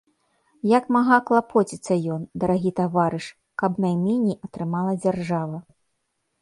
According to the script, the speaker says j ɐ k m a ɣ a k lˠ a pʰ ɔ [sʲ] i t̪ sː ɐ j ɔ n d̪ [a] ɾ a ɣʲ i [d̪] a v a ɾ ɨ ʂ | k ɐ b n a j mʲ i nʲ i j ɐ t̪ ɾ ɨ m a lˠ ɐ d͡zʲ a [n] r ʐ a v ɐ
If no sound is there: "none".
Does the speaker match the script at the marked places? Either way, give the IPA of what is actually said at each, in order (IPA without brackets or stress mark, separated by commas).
t͡sʲ, ɐ, t̪, none